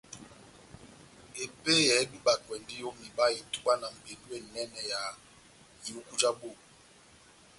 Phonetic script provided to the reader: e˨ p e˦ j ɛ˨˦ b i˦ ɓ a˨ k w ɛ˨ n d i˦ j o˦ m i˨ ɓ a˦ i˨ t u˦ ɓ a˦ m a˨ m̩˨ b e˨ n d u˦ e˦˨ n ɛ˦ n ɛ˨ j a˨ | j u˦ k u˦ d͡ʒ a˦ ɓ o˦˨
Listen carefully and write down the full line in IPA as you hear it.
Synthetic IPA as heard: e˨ p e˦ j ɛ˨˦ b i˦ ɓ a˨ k w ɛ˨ n d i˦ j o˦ m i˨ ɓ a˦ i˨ t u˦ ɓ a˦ n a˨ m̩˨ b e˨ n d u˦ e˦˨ n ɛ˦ n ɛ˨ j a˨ | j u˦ k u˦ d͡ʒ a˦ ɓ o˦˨